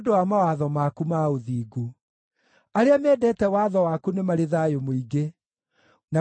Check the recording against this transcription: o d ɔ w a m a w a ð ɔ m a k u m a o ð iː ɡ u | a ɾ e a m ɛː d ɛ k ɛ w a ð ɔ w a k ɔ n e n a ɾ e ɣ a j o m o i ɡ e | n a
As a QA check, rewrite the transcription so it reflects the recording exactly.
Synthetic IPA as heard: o d o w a m a w a ð ɔ m a k u m a o ð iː ɡ u | a ɾ e a m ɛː d ɛ t ɛ w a ð ɔ w a k u n e m a ɾ e ð a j o m o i ɡ e | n a